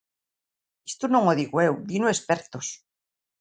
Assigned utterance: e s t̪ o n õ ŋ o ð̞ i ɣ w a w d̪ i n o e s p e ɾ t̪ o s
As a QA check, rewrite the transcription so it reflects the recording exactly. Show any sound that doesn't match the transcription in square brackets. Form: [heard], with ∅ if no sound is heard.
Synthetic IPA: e s t̪ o n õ ŋ o ð̞ i ɣ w [e] w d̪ i n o e s p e ɾ t̪ o s